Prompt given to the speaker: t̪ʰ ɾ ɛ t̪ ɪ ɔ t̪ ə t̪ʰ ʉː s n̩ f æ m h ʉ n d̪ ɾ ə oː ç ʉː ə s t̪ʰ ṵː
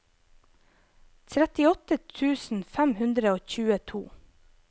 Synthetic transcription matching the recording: t̪ʰ ɾ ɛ t̪ ɪ ɔ t̪ ə t̪ʰ ʉː s n̩ f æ m h ʉ n d̪ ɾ ə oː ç ʉː ə t̪ʰ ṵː